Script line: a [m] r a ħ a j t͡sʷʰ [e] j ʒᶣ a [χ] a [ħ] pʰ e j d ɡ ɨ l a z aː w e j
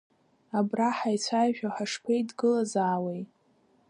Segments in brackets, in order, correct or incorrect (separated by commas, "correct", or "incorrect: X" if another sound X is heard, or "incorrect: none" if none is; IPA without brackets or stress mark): incorrect: b, incorrect: a, incorrect: ħ, incorrect: ʂ